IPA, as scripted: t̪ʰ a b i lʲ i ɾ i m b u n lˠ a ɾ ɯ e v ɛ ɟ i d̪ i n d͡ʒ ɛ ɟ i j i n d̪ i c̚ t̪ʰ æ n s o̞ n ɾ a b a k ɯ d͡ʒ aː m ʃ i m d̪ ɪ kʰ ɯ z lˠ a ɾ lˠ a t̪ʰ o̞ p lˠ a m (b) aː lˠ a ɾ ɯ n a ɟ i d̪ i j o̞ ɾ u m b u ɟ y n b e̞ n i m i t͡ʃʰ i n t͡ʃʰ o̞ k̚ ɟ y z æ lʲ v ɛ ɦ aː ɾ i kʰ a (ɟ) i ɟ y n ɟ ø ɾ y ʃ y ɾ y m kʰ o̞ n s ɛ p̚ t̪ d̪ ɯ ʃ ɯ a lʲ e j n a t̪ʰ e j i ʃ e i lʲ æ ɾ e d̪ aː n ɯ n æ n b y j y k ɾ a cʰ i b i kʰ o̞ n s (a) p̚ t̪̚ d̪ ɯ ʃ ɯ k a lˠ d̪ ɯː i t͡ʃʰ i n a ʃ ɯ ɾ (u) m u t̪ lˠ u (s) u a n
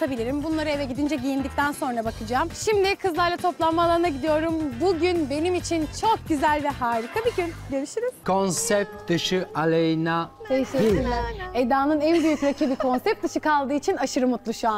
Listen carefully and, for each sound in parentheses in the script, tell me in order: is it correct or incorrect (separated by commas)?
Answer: incorrect, incorrect, incorrect, incorrect, incorrect